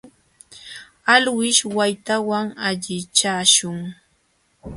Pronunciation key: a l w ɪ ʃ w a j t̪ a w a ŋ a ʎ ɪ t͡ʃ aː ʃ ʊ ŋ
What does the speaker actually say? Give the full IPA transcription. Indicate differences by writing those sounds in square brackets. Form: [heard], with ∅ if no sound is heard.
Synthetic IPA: a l w ɪ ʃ w a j t̪ a w a ŋ a ʎ ɪ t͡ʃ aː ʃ ʊ ŋ